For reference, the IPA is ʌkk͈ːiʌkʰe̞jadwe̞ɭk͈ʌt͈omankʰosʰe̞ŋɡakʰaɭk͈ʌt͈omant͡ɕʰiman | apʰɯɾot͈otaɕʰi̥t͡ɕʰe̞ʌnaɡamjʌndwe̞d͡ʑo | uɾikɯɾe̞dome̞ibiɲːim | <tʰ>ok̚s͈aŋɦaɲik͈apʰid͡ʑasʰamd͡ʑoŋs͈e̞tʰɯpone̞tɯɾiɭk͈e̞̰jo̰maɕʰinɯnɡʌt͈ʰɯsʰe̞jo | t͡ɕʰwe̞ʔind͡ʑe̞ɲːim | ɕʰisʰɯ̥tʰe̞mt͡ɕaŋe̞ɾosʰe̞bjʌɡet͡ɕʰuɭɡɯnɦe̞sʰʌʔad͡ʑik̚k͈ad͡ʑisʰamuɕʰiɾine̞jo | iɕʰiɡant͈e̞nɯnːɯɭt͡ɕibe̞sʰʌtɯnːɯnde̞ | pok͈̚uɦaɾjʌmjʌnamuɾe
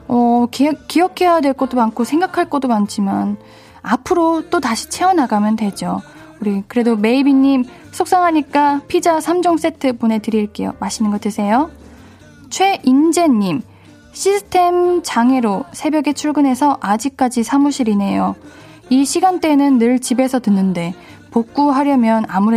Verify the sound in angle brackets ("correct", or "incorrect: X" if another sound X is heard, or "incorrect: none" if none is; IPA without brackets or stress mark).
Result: incorrect: sʰ